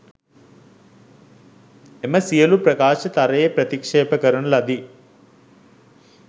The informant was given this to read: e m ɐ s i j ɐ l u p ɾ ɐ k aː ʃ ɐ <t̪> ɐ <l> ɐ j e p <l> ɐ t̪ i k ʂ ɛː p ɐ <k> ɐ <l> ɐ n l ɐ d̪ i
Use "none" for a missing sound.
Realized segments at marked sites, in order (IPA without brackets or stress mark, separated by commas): t̪, ɾ, ɾ, k, ɾ